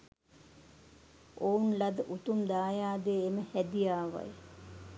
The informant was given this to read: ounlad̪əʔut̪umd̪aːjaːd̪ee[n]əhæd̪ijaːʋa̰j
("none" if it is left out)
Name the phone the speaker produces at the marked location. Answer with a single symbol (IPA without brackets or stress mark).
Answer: m